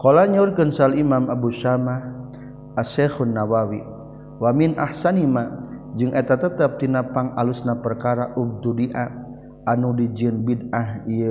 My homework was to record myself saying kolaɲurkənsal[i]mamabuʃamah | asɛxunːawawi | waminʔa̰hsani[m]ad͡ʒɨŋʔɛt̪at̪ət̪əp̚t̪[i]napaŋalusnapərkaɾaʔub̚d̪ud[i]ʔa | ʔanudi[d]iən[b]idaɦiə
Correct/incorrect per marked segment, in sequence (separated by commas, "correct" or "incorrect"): correct, correct, correct, correct, incorrect, correct